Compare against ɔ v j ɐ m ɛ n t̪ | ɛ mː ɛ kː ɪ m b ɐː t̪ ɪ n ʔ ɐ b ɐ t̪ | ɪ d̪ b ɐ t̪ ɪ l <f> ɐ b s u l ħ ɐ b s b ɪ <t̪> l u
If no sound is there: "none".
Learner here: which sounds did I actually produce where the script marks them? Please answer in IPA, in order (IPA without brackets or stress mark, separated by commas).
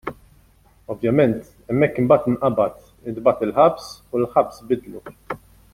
ħ, d̪